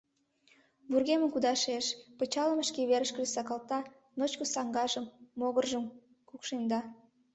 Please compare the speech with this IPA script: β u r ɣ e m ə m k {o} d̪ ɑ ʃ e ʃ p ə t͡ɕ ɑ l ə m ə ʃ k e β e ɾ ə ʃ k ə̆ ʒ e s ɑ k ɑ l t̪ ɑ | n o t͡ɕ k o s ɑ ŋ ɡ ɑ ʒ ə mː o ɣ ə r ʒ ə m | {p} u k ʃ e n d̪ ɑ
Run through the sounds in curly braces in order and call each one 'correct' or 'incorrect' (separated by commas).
incorrect, incorrect